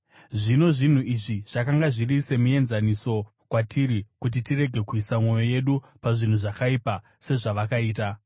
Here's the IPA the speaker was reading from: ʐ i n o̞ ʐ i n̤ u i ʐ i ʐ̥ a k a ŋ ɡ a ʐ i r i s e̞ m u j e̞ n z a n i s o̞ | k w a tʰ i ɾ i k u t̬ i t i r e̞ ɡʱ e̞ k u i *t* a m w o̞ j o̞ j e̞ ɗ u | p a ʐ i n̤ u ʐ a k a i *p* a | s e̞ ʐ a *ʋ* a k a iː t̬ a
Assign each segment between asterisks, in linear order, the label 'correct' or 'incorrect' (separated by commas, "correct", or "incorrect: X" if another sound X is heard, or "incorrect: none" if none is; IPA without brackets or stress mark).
incorrect: s, correct, correct